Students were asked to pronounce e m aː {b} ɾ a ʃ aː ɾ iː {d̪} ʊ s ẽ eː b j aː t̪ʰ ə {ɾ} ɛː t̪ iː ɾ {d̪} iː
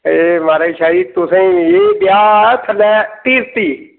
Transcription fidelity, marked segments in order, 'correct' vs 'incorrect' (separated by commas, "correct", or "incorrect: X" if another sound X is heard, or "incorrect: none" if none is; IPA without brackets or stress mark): incorrect: none, incorrect: t̪, incorrect: l, incorrect: t̪